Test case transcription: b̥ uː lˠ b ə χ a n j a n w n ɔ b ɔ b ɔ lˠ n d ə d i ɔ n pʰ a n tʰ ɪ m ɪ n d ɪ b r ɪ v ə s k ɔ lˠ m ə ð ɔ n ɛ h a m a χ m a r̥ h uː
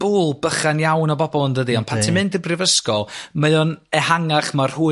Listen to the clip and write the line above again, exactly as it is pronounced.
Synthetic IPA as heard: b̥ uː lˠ b ə χ a n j a w n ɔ b ɔ b ɔ lˠ n d ə d i ɔ n pʰ a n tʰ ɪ m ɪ n d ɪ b r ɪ v ə s k ɔ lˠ m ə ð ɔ n ɛ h a ŋ a χ m a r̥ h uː